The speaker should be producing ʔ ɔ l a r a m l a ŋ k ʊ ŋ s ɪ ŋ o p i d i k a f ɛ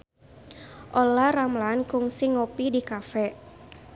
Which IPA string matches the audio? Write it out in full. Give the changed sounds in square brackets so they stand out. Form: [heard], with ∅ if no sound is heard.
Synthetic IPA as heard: ʔ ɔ l a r a m l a [n] k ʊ ŋ s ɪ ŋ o p i d i k a f ɛ